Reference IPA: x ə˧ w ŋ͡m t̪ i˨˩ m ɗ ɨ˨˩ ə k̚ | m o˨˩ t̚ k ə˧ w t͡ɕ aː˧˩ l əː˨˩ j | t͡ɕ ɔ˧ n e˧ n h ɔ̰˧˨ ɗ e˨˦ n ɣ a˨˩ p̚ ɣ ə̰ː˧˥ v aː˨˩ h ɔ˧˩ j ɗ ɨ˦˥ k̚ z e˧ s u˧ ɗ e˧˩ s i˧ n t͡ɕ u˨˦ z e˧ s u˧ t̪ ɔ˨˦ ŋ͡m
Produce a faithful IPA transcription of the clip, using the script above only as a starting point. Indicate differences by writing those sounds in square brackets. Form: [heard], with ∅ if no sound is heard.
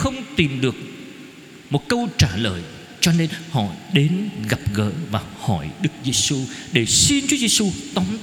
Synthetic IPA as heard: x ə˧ w ŋ͡m t̪ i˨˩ m ɗ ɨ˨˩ ə k̚ | m o˨˩ t̚ k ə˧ w t͡ɕ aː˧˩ l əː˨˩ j | t͡ɕ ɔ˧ n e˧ n h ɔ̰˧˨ ɗ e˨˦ n ɣ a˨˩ p̚ ɣ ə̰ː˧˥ v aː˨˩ h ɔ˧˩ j ɗ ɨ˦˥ k̚ z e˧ s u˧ ɗ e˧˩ s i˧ n t͡ɕ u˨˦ z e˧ s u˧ t̪ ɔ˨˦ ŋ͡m